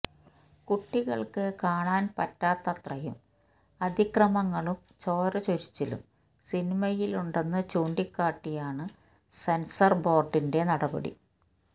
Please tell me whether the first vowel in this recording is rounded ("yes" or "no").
yes